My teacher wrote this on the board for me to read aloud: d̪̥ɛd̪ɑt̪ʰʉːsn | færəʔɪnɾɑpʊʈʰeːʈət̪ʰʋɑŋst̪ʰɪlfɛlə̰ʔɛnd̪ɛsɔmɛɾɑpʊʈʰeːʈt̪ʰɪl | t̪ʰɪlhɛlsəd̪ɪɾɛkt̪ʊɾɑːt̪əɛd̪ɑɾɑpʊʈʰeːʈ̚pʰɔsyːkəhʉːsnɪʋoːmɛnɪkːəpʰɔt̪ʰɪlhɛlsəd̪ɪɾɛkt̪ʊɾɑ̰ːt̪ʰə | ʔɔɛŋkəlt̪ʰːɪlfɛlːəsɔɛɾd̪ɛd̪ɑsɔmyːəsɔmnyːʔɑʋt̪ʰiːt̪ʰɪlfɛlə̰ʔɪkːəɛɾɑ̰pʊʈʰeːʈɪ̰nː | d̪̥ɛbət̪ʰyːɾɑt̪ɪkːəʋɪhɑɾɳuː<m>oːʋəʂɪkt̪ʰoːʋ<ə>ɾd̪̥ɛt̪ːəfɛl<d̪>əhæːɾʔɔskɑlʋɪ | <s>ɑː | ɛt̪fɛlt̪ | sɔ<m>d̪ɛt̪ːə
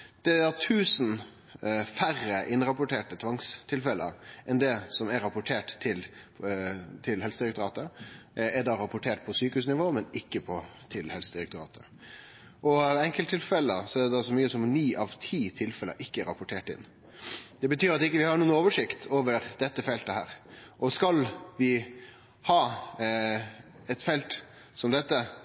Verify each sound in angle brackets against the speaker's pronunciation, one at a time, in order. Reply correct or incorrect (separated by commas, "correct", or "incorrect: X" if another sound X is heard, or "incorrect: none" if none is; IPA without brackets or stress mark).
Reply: incorrect: n, correct, incorrect: t̪, incorrect: h, correct